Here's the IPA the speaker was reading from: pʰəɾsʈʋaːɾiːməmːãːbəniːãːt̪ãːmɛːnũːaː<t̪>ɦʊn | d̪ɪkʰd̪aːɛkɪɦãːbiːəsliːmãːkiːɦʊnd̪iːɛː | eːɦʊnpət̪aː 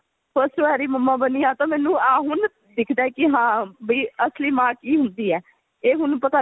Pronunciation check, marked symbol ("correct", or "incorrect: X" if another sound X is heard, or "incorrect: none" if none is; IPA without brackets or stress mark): incorrect: none